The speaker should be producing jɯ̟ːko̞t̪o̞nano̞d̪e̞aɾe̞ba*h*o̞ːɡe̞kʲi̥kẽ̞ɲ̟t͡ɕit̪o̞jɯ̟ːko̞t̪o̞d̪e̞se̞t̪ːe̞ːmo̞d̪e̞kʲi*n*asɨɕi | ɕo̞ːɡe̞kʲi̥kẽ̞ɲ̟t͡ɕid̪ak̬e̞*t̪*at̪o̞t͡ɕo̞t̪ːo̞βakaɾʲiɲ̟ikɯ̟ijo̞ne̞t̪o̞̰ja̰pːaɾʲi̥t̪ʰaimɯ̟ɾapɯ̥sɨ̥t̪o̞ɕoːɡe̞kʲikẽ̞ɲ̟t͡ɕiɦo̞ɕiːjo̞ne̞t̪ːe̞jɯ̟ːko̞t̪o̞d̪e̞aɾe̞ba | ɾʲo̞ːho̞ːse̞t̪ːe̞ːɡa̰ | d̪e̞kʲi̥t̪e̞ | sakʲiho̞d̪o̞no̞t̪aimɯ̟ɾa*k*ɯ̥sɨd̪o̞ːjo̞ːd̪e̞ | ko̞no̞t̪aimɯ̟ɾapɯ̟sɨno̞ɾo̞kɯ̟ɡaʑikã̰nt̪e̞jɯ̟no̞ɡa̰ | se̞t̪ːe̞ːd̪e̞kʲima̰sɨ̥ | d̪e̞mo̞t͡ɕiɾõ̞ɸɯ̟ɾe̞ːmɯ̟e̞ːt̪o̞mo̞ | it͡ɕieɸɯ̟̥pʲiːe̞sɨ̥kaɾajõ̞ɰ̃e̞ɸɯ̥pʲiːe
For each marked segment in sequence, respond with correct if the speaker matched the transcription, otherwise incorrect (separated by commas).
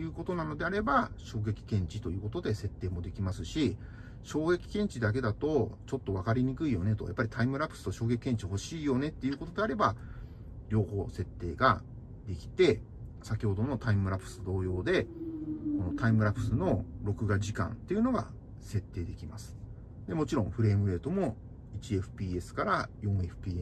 incorrect, incorrect, incorrect, incorrect